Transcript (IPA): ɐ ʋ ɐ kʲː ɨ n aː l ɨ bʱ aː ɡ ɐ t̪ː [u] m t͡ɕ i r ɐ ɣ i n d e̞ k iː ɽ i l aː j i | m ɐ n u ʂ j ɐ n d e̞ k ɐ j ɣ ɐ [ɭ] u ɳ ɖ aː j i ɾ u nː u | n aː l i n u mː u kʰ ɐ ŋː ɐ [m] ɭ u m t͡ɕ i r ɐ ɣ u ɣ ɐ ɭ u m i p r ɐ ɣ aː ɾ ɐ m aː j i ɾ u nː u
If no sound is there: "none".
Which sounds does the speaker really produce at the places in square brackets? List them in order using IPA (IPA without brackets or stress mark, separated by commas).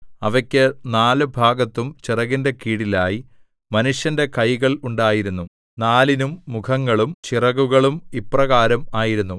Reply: u, ɭ, none